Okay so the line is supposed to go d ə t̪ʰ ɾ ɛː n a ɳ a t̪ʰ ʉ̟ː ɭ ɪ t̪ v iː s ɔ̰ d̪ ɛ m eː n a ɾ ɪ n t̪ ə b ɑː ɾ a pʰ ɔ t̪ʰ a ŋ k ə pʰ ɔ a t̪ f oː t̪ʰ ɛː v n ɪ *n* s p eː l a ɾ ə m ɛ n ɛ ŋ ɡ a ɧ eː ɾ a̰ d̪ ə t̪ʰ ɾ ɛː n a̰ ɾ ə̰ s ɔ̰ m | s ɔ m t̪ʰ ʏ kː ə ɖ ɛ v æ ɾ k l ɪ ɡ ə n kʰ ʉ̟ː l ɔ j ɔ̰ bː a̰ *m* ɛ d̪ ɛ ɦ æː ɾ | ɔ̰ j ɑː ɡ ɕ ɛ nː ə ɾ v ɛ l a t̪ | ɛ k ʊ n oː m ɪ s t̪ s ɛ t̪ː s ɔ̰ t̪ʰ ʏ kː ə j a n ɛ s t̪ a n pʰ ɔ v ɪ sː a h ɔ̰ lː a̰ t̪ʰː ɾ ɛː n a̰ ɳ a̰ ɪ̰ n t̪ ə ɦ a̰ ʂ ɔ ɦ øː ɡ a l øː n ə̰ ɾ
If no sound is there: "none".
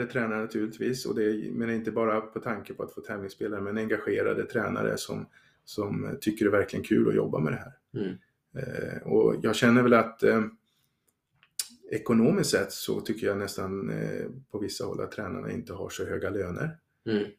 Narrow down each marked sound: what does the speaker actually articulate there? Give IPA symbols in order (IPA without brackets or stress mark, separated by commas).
ŋ, m